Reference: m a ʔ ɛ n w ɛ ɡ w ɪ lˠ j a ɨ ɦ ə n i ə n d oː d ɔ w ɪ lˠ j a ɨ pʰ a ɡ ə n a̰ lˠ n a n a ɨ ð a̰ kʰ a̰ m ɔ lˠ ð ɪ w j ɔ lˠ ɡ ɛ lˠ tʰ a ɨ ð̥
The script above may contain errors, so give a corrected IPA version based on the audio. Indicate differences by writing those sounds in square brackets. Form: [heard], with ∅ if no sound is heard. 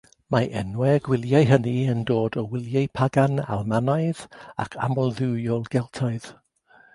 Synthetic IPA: m a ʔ ɛ n w ɛ ɡ w ɪ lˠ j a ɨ ɦ ə n i ə n d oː d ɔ w ɪ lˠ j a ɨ pʰ a ɡ [a] n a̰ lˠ [m] a n a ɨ ð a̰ kʰ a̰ m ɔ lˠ ð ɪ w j ɔ lˠ ɡ ɛ lˠ tʰ a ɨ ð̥